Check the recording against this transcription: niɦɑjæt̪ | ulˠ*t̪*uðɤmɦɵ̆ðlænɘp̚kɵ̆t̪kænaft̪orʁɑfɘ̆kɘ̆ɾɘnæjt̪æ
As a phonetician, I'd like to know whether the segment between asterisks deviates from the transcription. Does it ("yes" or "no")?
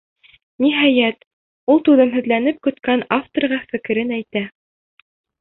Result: no